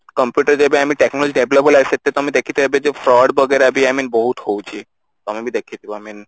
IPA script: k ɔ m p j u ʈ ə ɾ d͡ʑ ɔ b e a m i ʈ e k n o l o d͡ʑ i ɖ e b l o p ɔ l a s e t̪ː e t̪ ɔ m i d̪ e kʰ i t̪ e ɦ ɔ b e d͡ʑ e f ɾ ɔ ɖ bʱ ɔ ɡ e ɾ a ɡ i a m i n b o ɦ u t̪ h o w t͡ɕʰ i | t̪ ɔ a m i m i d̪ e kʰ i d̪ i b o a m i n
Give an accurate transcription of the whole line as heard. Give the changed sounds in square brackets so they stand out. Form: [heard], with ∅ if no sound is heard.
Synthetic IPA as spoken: k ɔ m p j u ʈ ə ɾ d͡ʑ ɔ b e a m i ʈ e k n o l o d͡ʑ i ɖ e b l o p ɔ l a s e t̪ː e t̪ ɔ m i d̪ e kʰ i t̪ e ɦ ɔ b e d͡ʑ e f ɾ ɔ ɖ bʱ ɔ ɡ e ɾ a [b] i a m i n b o ɦ u t̪ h o w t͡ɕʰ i | t̪ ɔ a m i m i d̪ e kʰ i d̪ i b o a m i n